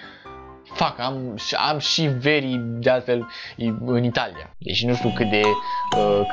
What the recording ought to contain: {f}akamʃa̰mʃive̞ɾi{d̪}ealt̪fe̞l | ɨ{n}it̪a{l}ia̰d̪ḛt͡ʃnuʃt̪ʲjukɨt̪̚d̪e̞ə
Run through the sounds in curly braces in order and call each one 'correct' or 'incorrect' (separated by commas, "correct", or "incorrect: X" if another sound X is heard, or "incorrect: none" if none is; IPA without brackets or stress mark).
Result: correct, correct, correct, correct